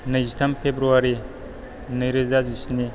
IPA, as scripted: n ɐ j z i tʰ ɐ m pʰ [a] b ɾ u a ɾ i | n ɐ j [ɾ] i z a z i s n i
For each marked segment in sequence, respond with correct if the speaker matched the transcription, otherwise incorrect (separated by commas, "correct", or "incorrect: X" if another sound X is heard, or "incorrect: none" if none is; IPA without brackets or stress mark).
incorrect: e, correct